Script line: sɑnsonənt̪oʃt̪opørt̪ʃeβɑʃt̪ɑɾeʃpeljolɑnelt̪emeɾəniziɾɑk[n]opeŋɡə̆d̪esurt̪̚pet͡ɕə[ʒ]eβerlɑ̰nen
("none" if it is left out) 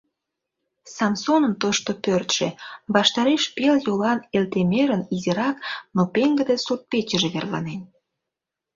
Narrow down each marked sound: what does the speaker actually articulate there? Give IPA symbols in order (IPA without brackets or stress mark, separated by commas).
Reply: n, ʒ